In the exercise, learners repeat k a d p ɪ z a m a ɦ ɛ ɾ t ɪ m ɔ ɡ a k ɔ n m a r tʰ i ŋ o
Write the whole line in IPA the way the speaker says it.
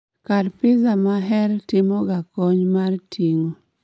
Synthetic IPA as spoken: k a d p ɪ z a m a ɦ ɛ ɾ t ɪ m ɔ ɡ a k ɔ ɲ m a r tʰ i ŋ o